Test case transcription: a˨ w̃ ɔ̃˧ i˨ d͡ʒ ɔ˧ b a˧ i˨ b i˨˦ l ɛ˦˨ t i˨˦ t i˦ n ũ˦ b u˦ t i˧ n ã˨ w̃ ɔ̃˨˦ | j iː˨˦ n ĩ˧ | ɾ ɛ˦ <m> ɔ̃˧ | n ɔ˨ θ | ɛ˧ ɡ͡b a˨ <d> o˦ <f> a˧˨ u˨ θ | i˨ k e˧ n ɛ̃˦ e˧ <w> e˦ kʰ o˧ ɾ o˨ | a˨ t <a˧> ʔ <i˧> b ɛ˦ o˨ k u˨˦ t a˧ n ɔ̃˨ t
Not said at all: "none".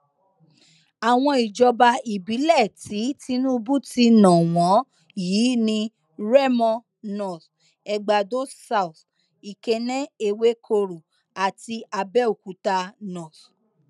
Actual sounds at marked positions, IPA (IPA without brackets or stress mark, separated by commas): m, d, s, w, i˧, a˧